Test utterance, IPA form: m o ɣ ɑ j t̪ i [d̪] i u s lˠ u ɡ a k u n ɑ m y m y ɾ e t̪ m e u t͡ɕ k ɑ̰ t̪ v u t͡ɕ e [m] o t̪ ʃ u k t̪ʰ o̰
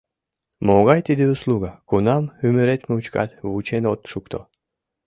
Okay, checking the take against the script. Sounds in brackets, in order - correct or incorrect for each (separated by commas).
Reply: correct, incorrect